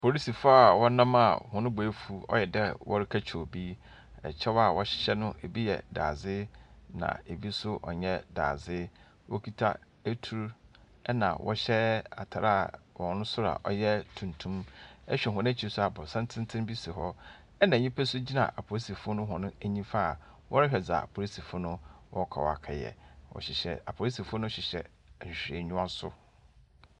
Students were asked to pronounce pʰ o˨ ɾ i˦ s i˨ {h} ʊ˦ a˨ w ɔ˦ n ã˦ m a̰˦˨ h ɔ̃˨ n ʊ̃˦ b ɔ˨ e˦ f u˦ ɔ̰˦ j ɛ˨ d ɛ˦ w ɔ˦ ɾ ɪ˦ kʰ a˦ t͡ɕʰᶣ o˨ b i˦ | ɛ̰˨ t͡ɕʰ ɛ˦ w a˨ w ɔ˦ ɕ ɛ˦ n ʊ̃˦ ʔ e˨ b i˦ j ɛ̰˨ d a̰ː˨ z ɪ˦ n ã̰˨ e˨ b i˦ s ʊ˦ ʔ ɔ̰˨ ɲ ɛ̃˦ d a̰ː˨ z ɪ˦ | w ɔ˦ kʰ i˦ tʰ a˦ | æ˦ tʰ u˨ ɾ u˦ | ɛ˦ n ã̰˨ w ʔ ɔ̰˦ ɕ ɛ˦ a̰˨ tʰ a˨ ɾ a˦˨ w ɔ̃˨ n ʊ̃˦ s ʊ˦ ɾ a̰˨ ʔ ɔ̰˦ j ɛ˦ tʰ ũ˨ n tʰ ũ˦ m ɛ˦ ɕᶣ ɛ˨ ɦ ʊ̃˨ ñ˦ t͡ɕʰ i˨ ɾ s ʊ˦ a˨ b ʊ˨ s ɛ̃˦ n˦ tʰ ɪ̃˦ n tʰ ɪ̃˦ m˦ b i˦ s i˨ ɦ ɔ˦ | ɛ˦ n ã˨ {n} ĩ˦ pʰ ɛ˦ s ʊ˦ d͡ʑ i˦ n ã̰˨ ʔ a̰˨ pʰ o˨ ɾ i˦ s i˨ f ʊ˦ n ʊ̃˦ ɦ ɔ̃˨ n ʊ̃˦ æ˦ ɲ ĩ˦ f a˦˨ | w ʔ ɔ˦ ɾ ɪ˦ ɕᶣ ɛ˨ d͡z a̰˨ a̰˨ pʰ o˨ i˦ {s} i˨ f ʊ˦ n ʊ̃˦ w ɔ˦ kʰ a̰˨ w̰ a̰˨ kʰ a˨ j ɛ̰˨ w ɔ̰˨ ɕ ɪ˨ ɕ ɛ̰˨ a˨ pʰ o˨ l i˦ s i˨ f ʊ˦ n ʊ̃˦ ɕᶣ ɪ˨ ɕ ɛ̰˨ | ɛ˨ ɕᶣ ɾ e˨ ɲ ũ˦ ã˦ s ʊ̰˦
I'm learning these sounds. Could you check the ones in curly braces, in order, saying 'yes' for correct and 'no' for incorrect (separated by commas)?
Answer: no, no, yes